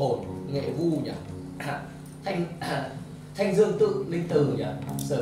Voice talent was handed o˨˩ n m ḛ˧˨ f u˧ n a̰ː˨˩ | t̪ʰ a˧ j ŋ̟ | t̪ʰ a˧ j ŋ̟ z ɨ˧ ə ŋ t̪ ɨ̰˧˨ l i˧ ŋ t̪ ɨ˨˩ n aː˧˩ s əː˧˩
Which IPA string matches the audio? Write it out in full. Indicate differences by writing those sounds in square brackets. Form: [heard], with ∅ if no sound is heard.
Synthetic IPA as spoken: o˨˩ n [ŋ] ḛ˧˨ [v] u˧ [ɲ] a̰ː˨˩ | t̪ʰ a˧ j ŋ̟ | t̪ʰ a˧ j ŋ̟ z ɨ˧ ə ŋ t̪ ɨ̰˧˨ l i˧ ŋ t̪ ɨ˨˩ [ɲ] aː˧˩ s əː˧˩